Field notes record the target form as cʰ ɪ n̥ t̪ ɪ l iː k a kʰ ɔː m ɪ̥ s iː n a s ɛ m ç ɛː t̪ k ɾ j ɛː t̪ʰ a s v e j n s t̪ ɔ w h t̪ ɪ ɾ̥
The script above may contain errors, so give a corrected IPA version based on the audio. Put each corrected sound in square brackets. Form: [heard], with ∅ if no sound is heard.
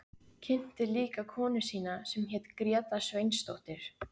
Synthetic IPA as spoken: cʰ ɪ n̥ t̪ ɪ l iː k a kʰ ɔː [n] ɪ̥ s iː n a s ɛ m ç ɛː t̪ k ɾ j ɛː [t̪] a s v e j n s t̪ [o] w h t̪ ɪ ɾ̥